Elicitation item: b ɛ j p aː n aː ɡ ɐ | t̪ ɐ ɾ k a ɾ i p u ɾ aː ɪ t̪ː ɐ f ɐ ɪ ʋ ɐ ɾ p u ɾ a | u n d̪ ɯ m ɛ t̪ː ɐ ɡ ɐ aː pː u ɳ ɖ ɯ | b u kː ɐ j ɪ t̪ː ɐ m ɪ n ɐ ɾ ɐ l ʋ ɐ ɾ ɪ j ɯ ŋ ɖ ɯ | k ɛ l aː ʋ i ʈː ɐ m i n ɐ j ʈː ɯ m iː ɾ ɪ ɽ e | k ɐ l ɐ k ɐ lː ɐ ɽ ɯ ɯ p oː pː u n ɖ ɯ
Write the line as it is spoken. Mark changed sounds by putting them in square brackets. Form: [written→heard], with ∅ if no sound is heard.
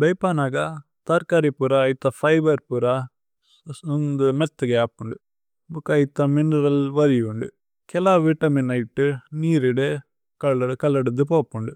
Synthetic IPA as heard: b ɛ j p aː n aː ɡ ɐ | t̪ ɐ ɾ k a ɾ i p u ɾ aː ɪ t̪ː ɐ f ɐ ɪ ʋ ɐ ɾ p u ɾ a | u n d̪ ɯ m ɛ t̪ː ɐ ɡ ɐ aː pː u ɳ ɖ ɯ | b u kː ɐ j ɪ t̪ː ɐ m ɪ n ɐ ɾ ɐ l ʋ ɐ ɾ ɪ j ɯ [ŋ→ɳ] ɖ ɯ | k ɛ l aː ʋ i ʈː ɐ m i n ɐ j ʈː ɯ [m→n] iː ɾ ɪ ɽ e | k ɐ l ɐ k ɐ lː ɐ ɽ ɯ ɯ p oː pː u [n→ɳ] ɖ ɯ